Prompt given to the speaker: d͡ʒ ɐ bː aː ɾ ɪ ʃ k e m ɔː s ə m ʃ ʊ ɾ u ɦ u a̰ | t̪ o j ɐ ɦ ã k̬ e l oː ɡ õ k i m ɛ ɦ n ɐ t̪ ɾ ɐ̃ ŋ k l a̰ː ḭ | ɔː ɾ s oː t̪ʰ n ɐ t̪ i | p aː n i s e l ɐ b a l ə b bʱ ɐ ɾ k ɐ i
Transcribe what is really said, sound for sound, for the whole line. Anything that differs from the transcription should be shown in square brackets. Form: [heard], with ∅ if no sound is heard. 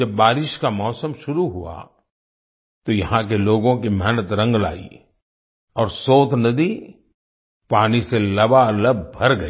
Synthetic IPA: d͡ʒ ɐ bː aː ɾ ɪ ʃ k [a] m ɔː s ə m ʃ ʊ ɾ u ɦ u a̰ | t̪ o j ɐ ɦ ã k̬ e l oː ɡ õ k i m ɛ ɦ n [ə] t̪ ɾ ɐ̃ ŋ [ɡ] l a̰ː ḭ | ɔː ɾ s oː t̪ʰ n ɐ [d̪] i | p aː n i s e l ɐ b a l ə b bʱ ɐ ɾ [ɡ] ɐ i